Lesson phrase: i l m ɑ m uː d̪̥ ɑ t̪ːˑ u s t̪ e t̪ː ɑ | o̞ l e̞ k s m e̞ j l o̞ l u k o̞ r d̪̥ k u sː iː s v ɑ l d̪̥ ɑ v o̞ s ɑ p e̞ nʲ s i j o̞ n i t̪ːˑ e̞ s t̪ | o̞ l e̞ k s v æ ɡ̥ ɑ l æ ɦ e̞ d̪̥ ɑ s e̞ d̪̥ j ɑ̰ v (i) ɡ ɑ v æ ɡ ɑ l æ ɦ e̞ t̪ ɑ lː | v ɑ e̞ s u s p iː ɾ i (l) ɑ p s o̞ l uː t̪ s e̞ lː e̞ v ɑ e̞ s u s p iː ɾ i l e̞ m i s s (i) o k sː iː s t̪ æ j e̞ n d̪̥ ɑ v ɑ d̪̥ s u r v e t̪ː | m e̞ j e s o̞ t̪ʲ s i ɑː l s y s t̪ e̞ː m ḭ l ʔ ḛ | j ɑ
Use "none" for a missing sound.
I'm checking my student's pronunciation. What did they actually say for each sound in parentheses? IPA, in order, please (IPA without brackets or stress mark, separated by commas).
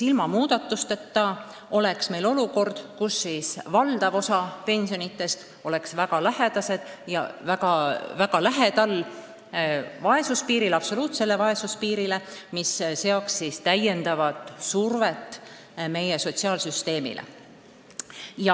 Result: æ, l, e